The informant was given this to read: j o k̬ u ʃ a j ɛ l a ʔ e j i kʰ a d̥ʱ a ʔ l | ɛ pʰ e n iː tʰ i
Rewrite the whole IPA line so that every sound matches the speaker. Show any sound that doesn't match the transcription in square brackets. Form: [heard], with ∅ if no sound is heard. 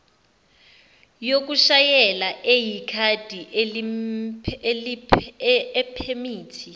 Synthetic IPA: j o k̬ u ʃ a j ɛ l a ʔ e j i kʰ a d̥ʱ [i] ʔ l | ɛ pʰ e [m] iː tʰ i